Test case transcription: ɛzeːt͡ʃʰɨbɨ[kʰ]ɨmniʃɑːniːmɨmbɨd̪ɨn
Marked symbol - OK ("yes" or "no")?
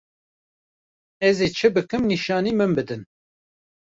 no